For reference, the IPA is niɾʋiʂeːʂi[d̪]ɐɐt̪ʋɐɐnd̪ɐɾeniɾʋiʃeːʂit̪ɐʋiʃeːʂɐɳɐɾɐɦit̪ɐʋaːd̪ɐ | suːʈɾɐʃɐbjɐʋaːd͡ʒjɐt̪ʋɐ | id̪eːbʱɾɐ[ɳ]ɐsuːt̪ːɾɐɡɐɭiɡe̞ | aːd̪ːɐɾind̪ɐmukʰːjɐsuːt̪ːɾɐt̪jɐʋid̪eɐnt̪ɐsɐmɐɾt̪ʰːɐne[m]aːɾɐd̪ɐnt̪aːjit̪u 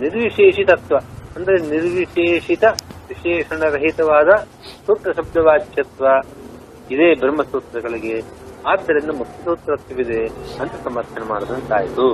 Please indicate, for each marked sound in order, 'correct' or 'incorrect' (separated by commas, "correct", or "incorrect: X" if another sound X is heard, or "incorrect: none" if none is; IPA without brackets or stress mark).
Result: incorrect: t̪, incorrect: m, correct